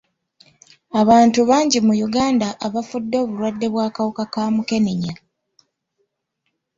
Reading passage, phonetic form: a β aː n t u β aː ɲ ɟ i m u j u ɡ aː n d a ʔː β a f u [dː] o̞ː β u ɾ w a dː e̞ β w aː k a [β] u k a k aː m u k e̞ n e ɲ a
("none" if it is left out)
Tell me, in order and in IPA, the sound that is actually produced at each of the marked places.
dː, w

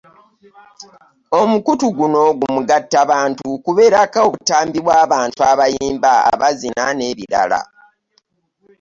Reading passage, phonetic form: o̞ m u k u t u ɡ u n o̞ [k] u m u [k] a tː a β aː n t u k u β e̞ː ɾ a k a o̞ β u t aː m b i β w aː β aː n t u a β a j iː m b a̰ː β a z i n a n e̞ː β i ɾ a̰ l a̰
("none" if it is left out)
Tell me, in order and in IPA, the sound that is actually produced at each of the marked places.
ɡ, ɡ

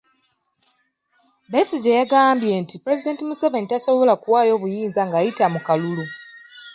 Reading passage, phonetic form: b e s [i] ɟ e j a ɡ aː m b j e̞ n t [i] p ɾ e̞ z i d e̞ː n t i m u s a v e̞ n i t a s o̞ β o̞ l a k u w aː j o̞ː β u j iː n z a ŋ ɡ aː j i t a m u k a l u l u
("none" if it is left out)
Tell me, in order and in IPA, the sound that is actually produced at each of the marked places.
i, i

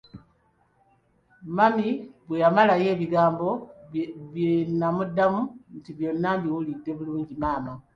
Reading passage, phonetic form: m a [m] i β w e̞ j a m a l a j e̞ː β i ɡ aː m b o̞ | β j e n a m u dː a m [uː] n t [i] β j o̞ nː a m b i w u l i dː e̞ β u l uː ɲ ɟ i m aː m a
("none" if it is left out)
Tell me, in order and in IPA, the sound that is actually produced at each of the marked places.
m, u, i

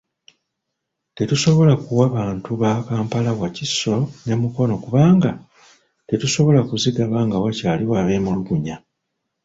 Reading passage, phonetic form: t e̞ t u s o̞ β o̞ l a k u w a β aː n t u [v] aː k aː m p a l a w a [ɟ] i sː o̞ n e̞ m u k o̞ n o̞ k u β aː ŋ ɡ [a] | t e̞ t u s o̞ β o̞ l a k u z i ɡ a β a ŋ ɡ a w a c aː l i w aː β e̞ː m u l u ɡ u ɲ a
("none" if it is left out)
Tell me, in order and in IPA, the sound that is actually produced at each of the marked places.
β, c, a

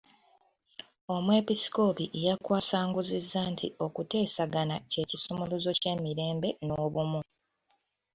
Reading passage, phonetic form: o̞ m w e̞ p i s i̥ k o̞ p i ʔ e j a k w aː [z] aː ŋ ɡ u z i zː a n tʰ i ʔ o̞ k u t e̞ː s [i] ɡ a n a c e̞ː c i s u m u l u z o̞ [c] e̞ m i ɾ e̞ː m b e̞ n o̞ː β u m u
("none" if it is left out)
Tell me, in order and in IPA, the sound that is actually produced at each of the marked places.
s, a, c

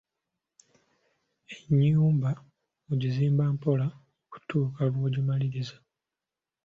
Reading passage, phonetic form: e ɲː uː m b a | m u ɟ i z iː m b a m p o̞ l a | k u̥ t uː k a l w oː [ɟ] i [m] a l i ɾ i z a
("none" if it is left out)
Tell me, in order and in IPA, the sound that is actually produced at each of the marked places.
ɟ, m

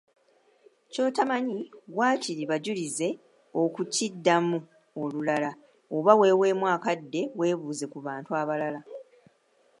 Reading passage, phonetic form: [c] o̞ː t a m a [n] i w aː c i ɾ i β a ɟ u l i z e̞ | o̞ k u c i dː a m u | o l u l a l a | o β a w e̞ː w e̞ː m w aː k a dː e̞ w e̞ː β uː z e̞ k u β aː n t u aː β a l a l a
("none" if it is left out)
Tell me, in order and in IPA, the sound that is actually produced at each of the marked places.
c, ɲ

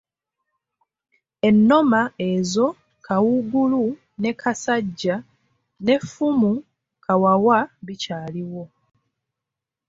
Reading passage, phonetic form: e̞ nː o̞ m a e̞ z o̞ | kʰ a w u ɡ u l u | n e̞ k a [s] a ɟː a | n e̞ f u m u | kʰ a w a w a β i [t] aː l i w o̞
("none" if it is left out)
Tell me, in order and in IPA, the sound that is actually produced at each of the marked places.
s, c

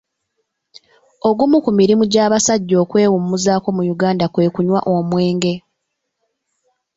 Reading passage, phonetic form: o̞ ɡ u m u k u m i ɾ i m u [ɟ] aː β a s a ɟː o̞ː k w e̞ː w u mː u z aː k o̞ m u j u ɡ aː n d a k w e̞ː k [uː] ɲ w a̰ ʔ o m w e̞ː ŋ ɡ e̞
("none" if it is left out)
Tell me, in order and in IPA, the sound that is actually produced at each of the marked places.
ɟ, u

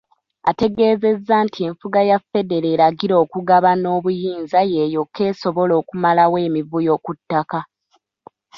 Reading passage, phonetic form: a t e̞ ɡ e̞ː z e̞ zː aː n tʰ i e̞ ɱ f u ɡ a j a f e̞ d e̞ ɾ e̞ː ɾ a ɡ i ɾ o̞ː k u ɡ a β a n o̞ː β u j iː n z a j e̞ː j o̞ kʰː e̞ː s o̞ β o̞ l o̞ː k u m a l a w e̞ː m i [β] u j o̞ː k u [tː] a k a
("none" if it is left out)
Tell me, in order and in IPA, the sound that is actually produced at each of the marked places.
v, tː

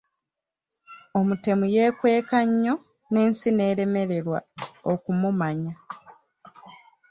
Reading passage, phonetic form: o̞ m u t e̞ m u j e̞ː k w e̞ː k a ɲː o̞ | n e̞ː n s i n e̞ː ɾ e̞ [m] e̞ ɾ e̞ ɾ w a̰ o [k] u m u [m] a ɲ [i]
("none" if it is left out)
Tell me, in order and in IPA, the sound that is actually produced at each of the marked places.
m, k, m, a

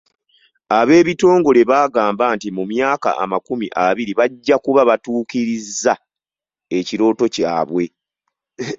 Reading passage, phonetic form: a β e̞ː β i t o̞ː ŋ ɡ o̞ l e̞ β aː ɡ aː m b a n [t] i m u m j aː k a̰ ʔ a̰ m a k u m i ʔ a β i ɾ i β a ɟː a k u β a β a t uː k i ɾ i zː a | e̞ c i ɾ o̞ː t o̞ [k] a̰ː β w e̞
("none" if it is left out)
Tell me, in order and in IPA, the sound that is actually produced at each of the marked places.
t, c

